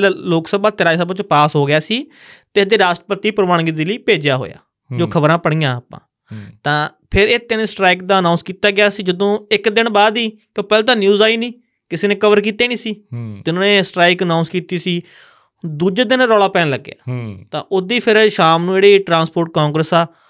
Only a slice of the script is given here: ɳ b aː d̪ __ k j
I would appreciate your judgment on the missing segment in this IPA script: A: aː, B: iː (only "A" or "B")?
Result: B